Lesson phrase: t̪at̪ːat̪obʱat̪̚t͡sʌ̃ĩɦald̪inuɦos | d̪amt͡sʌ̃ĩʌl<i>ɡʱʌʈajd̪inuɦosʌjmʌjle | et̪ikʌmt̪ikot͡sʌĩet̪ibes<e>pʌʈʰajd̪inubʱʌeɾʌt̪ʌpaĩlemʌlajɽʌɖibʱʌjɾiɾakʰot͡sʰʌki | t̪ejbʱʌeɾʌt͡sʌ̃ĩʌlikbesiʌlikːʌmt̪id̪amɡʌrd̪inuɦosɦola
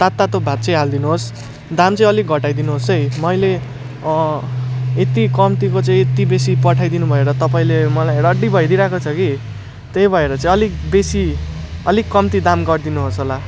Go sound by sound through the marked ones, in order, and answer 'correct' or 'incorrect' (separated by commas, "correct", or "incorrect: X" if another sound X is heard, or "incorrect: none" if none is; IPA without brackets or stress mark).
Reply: correct, incorrect: i